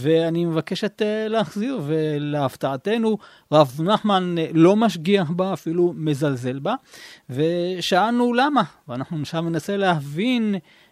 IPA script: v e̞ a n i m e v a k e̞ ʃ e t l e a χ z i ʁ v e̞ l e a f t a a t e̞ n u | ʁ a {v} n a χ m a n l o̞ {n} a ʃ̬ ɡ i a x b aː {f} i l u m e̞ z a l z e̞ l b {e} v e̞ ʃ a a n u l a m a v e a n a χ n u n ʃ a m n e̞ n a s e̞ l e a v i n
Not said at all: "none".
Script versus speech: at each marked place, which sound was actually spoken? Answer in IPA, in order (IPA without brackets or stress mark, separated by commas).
v, m, f, a